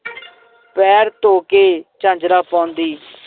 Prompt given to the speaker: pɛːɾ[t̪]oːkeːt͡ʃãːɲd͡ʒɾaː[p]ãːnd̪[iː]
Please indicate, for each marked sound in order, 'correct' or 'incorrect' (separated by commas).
correct, correct, correct